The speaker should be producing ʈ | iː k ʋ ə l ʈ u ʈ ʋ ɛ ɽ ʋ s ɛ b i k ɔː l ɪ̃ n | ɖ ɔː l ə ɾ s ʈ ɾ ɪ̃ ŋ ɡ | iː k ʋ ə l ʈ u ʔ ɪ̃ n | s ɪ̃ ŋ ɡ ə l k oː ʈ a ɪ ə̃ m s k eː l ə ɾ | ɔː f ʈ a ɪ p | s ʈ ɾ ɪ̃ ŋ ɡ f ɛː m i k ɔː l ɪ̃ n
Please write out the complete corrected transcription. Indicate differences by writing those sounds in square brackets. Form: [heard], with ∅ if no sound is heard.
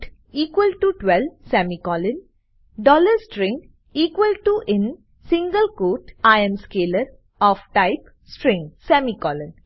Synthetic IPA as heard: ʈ | iː k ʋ ə l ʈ u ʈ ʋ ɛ [l] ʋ s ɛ [m] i k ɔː l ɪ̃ n | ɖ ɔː l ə ɾ s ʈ ɾ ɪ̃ ŋ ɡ | iː k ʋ ə l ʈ u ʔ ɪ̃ n | s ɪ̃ ŋ ɡ ə l k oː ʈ a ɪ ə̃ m s k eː l ə ɾ | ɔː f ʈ a ɪ p | s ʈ ɾ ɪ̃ ŋ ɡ [s] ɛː m i k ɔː l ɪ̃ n